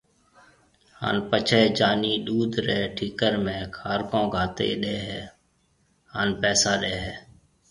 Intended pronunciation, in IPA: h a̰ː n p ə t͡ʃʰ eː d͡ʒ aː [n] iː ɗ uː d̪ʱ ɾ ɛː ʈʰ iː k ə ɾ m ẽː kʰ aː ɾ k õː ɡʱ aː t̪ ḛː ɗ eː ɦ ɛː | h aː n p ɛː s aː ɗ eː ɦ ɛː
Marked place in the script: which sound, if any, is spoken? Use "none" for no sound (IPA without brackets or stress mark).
n